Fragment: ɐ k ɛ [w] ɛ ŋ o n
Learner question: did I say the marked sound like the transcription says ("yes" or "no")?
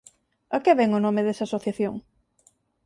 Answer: no